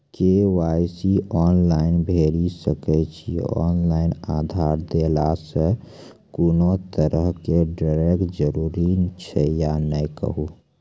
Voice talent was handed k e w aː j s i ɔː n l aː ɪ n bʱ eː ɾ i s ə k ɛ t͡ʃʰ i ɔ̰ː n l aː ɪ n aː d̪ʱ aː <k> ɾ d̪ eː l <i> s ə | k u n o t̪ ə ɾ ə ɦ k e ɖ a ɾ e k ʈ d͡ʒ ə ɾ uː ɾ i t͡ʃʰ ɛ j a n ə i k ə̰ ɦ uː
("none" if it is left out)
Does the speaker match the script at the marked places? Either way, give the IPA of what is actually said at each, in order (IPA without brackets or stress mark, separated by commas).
none, a